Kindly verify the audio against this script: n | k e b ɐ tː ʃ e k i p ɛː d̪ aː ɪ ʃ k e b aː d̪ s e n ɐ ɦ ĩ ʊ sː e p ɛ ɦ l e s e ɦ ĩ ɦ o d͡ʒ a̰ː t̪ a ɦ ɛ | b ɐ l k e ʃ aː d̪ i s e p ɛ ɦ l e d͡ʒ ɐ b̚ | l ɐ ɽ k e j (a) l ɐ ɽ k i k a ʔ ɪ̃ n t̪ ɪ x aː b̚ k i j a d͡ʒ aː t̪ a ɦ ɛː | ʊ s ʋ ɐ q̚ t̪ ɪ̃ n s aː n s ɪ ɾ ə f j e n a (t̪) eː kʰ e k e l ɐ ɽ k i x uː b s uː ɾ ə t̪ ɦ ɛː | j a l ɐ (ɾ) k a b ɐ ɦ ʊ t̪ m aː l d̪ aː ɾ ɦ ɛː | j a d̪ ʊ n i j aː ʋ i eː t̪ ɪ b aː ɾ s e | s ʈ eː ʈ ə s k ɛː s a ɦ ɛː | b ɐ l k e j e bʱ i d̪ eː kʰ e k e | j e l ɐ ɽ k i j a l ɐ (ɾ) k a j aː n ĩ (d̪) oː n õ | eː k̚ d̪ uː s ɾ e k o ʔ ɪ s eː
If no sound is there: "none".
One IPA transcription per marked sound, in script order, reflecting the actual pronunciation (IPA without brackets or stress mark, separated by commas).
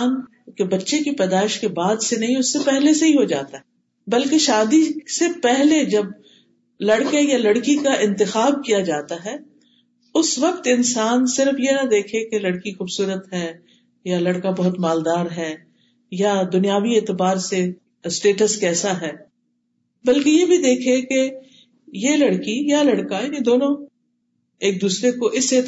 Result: a, d̪, ɽ, ɽ, d̪